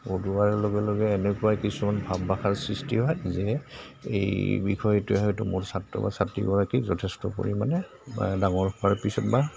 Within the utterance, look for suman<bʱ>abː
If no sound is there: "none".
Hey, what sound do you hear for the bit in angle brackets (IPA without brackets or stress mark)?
bʱ